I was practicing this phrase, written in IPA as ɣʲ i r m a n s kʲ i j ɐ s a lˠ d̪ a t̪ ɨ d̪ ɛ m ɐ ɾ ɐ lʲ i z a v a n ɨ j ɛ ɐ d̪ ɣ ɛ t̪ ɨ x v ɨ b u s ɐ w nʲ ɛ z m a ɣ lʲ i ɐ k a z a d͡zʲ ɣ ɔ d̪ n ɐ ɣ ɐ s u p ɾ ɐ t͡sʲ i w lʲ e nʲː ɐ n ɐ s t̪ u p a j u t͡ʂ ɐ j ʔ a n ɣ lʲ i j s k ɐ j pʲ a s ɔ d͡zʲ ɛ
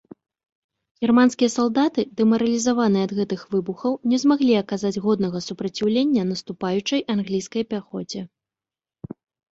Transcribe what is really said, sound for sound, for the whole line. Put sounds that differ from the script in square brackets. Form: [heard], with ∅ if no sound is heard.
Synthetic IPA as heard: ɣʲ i r m a n s kʲ i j ɐ s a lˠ d̪ a t̪ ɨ d̪ ɛ m ɐ ɾ ɐ lʲ i z a v a n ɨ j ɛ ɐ d̪ ɣ ɛ t̪ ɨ x v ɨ b u [x] ɐ w nʲ ɛ z m a ɣ lʲ i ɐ k a z a d͡zʲ ɣ ɔ d̪ n ɐ ɣ ɐ s u p ɾ ɐ t͡sʲ i w lʲ e nʲː ɐ n ɐ s t̪ u p a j u t͡ʂ ɐ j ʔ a n ɣ lʲ i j s k ɐ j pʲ a [x] ɔ d͡zʲ ɛ